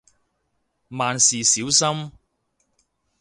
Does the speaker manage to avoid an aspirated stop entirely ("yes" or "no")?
yes